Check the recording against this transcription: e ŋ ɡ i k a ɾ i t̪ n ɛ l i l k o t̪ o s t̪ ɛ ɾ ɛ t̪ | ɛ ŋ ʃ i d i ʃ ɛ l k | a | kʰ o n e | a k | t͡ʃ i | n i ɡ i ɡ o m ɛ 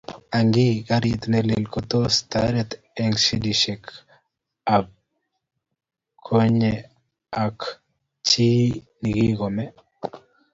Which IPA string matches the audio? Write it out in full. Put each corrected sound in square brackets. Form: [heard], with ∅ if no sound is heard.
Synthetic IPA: [a] ŋ ɡ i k a ɾ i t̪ n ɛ l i l k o t̪ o s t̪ [a] ɾ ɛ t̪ | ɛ ŋ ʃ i d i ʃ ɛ [∅] k | a | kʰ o [ɲ] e | a k | t͡ʃ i | n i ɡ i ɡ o m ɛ